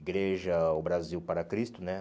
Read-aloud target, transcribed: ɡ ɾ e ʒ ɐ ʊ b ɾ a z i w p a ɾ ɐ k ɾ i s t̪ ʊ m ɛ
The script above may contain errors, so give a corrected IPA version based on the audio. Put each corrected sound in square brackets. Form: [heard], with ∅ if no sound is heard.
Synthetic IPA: ɡ ɾ e ʒ ɐ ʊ b ɾ a z i w p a ɾ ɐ k ɾ i s t̪ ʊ [n] ɛ